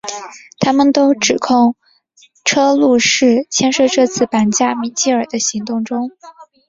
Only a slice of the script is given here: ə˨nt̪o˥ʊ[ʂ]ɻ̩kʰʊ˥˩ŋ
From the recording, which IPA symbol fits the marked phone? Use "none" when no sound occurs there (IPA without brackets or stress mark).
ʈ͡ʂ